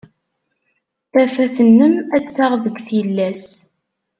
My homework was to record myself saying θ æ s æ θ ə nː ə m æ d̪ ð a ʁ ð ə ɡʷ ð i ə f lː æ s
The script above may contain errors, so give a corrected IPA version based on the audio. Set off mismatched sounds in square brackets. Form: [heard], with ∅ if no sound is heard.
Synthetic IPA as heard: θ æ [f] æ θ ə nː ə m æ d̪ [θ] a ʁ ð ə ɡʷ [θ] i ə [∅] lː æ s